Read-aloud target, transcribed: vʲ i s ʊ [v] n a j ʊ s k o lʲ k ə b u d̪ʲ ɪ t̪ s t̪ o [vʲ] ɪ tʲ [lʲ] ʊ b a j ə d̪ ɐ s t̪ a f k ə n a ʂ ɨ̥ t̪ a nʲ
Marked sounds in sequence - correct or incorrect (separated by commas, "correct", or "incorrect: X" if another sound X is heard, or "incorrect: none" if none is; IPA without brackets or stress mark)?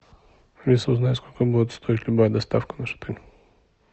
incorrect: z, incorrect: none, correct